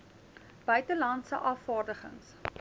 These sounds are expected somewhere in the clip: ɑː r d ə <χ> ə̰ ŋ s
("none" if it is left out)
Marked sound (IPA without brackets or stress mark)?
χ